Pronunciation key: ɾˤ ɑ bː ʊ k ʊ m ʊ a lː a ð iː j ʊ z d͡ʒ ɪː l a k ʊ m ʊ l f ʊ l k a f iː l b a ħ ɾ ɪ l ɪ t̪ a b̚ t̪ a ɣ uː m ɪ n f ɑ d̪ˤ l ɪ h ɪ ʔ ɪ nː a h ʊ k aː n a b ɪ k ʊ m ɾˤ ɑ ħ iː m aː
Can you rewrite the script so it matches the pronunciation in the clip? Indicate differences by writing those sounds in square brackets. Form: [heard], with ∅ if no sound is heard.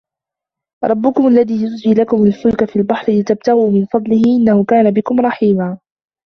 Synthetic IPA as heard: ɾˤ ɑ bː ʊ k ʊ m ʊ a lː a ð iː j ʊ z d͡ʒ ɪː l a k ʊ m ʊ l f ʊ l k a f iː l b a ħ ɾ ɪ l ɪ t̪ a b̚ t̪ a ɣ uː m ɪ n f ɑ d̪ˤ l ɪ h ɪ ʔ ɪ nː a h ʊ k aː n a b ɪ k ʊ m ɾˤ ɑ ħ iː m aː